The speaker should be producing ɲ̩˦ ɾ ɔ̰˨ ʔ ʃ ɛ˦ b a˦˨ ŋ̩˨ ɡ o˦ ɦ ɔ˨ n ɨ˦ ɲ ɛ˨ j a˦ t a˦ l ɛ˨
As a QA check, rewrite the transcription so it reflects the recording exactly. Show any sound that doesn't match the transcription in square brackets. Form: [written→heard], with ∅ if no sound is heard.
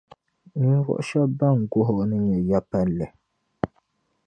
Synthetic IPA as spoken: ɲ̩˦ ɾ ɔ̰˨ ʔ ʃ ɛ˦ b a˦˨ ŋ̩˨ ɡ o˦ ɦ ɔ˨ n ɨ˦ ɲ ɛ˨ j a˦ [t→p] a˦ l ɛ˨